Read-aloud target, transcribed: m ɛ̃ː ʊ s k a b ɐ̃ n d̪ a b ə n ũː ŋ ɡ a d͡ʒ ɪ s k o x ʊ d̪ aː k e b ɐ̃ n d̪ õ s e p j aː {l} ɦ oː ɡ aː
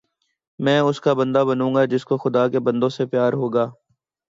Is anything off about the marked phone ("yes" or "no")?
yes